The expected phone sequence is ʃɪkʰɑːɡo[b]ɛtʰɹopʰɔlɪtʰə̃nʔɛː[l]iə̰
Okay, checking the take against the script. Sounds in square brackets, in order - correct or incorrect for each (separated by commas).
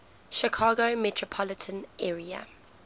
incorrect, incorrect